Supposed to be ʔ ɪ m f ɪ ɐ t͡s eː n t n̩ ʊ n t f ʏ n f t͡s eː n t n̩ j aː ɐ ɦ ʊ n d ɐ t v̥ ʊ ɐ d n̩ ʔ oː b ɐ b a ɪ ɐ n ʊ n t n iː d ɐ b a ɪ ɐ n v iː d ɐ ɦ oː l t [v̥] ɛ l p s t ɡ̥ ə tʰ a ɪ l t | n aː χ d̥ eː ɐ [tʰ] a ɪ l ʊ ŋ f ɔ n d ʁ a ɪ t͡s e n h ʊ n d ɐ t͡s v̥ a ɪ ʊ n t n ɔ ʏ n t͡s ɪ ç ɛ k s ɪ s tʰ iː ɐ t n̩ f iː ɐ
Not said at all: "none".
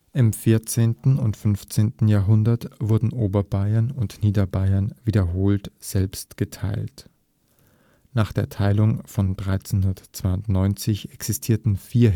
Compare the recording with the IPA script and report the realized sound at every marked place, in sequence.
z̥, tʰ

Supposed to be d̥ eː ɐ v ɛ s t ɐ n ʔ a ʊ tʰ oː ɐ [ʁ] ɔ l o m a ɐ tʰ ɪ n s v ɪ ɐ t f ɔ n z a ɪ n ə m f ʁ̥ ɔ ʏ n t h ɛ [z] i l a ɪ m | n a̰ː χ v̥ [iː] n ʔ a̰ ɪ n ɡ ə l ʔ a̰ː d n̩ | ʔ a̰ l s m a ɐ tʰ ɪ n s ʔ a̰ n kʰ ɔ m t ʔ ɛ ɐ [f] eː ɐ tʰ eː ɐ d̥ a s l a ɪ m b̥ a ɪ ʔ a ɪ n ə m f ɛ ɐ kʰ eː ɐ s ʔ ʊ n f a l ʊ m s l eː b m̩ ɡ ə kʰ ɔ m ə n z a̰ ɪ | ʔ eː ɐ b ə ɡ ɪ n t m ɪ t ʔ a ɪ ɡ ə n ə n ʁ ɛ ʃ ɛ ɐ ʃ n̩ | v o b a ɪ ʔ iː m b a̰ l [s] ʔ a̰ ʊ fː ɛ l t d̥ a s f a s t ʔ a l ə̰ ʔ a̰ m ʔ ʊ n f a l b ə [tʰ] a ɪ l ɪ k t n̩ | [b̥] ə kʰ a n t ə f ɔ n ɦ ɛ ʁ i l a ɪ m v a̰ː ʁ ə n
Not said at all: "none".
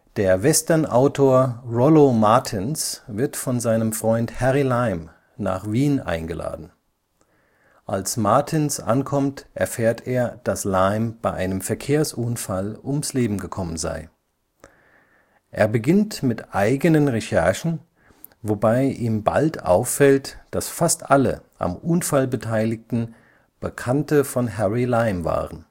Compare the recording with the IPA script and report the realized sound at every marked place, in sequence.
ʁ, ʁ, iː, f, t, tʰ, b̥

